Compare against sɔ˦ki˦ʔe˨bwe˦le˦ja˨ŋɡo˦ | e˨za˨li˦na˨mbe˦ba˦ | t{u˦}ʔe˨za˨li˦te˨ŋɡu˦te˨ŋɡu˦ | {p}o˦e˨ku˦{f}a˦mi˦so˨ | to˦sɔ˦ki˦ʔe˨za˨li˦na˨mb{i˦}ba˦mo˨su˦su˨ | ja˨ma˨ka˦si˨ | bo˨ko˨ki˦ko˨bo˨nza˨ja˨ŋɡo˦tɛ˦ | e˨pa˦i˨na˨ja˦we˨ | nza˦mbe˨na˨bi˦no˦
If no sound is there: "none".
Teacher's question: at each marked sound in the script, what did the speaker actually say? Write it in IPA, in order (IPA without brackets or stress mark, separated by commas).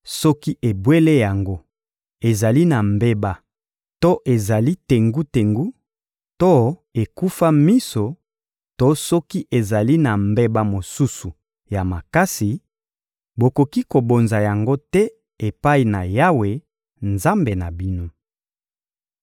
o˦, t, f, e˦